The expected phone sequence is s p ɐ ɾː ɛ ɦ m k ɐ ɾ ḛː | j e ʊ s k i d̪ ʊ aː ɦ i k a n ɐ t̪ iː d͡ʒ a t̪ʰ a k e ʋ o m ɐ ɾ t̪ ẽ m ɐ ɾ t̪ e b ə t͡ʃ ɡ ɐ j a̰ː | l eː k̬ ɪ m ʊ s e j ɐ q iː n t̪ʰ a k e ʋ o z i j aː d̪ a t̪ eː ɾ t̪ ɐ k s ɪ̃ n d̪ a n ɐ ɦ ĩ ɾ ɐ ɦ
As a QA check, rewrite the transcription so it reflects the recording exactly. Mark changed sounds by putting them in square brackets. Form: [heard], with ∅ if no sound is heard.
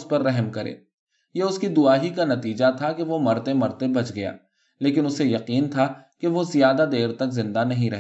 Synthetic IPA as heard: s p ɐ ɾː ɛ ɦ m k ɐ ɾ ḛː | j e ʊ s k i d̪ ʊ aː ɦ i k a n ɐ t̪ iː d͡ʒ a t̪ʰ a k e ʋ o m ɐ ɾ t̪ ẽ m ɐ ɾ t̪ e b [ɐ] t͡ʃ ɡ ɐ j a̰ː | l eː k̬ ɪ [n] ʊ s e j ɐ q iː n t̪ʰ a k e ʋ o z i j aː d̪ a [d̪] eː ɾ t̪ ɐ k [z] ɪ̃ n d̪ a n ɐ ɦ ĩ ɾ ɐ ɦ